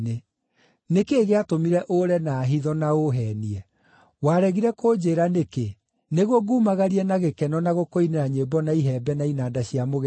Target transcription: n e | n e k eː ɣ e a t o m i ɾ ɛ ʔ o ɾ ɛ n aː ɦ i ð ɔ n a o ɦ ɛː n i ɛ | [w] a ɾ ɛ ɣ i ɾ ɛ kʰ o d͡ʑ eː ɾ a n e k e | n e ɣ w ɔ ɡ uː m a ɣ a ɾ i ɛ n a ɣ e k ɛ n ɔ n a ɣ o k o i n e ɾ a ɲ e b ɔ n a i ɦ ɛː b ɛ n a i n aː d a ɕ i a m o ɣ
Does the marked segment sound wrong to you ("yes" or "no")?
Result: no